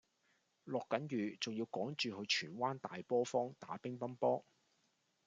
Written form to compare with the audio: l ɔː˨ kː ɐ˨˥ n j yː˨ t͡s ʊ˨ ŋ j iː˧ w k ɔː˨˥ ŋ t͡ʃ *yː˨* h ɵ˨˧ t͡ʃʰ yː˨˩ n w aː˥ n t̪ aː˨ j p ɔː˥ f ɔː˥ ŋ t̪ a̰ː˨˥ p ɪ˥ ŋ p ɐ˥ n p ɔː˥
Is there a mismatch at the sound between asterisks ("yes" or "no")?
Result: no